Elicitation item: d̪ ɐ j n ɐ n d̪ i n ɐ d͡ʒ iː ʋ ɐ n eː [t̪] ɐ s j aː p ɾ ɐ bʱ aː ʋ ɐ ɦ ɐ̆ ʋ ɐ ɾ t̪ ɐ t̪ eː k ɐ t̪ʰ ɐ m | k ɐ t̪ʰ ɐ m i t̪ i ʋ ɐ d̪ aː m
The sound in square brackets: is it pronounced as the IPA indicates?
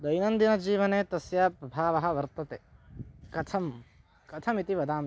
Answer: yes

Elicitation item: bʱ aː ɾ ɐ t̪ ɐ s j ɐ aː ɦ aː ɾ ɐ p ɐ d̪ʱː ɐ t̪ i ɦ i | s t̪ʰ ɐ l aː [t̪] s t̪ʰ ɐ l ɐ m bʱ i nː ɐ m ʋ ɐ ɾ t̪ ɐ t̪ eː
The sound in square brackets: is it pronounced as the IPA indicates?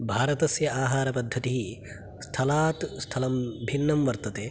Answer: yes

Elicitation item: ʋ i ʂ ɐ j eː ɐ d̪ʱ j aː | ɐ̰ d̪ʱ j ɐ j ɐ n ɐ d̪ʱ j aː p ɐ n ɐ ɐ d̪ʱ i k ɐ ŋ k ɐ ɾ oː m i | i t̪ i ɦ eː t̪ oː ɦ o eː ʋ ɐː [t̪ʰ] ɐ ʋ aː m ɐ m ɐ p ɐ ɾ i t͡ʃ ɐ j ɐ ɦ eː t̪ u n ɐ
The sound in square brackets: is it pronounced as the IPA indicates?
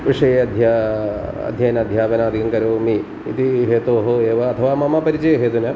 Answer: yes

